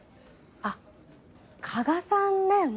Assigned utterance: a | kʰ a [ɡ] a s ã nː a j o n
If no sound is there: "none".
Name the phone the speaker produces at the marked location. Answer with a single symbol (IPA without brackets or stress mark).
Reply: ɡ